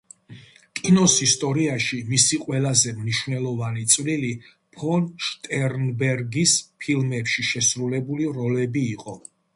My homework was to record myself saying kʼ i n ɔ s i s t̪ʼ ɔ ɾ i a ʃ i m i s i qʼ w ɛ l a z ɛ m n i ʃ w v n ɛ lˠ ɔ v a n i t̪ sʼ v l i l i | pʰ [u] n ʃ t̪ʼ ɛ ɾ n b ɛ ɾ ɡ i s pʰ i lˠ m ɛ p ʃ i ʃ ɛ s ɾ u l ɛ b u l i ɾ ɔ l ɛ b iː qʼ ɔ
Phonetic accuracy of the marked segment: incorrect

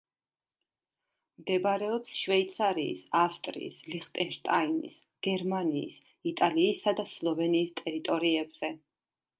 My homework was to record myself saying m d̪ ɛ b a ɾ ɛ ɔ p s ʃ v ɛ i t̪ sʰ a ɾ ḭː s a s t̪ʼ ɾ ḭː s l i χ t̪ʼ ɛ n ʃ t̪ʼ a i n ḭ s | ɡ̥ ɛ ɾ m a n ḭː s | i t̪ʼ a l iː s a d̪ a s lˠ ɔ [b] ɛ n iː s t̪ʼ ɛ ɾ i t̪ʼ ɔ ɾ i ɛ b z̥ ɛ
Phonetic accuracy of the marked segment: incorrect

